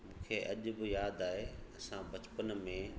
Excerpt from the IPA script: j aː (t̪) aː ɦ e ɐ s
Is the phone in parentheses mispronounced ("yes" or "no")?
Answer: yes